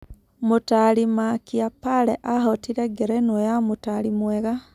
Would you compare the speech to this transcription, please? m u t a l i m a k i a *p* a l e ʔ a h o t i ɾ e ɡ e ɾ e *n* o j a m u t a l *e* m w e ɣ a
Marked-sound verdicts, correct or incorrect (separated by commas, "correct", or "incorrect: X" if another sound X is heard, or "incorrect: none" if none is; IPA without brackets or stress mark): correct, correct, incorrect: i